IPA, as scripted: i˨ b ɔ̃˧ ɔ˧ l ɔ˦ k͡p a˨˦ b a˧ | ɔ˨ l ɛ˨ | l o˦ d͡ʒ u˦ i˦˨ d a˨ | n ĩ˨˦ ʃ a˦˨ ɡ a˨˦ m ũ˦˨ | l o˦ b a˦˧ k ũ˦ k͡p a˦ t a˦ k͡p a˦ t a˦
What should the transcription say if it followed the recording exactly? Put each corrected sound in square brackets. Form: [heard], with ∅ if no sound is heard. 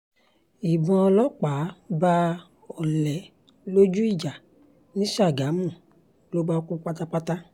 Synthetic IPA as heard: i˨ b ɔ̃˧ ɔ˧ l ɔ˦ k͡p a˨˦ b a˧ | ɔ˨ l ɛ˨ | l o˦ d͡ʒ u˦ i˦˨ [d͡ʒ] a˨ | n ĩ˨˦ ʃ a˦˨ ɡ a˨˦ m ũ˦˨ | l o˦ b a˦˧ k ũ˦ k͡p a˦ t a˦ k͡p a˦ t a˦